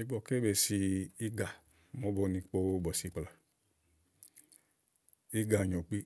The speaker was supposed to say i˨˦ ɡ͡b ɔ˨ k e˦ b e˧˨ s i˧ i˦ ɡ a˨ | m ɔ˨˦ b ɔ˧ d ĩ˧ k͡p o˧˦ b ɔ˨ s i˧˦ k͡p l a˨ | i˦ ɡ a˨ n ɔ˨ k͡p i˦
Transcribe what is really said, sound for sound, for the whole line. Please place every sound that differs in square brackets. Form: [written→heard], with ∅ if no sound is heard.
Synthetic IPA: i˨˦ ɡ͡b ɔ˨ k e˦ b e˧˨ s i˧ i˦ ɡ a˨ | m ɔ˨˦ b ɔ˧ [d→n] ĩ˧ k͡p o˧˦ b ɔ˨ s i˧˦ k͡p l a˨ | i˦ ɡ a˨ [n→ɲ] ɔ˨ k͡p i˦